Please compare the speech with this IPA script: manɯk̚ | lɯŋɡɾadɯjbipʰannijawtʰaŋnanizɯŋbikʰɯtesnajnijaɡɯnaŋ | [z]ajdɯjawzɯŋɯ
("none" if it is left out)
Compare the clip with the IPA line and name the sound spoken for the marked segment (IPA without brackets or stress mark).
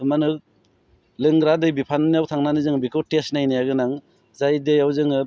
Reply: z